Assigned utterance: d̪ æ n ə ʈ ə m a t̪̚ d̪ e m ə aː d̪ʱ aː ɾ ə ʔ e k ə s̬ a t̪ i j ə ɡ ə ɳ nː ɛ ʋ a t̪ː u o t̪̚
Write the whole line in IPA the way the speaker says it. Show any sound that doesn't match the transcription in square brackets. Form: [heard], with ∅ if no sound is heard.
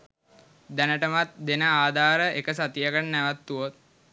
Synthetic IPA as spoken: d̪ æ n ə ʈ ə m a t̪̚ d̪ e [n] ə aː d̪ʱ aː ɾ ə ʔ e k ə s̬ a t̪ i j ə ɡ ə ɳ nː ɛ ʋ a t̪ː u o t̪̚